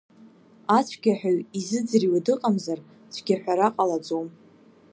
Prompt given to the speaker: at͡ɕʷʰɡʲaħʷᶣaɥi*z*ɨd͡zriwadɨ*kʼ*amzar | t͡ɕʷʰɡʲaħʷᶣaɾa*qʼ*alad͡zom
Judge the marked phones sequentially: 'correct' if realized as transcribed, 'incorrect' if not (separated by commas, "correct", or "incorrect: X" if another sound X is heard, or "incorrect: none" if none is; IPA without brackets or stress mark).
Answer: correct, incorrect: qʼ, correct